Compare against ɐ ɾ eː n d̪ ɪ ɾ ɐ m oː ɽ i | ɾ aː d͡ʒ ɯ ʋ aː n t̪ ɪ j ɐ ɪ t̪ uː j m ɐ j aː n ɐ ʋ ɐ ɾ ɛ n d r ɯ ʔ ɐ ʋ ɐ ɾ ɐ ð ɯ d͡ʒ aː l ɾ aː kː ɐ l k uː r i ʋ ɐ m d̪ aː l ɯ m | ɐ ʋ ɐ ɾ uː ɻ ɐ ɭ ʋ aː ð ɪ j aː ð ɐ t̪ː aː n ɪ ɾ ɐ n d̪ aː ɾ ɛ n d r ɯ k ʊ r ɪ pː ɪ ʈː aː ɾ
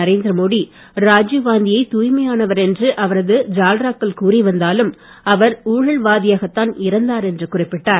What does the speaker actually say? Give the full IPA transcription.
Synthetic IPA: ɐ ɾ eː n d̪ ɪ ɾ ɐ m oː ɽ i | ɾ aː d͡ʒ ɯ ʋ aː n d̪ ɪ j ɐ ɪ t̪ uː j m ɐ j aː n ɐ ʋ ɐ ɾ ɛ n d r ɯ ʔ ɐ ʋ ɐ ɾ ɐ ð ɯ d͡ʒ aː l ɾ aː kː ɐ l k uː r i ʋ ɐ n d̪ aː l ɯ m | ɐ ʋ ɐ ɾ uː ɻ ɐ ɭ ʋ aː ð ɪ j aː ɣ ɐ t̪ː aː n ɪ ɾ ɐ n d̪ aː ɾ ɛ n d r ɯ k ʊ r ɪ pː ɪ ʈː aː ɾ